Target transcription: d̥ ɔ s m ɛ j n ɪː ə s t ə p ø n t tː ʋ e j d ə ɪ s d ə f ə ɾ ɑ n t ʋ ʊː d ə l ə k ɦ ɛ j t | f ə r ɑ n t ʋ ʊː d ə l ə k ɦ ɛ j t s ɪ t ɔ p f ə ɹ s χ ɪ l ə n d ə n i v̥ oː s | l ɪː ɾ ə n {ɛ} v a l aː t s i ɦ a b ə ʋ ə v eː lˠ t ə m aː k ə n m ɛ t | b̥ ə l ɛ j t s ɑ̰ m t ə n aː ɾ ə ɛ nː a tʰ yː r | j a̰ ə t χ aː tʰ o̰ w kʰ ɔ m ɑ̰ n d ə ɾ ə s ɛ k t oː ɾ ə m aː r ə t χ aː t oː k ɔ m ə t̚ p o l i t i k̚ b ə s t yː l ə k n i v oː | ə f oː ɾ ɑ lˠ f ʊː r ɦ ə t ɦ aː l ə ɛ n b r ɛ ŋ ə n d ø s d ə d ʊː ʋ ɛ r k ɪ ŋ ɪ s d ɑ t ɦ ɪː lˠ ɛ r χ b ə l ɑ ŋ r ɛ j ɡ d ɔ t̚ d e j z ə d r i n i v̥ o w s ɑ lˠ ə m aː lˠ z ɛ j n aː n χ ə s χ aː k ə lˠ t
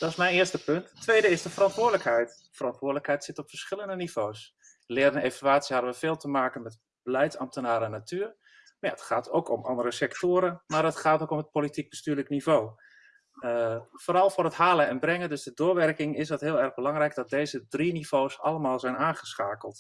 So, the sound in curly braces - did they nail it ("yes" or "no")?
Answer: no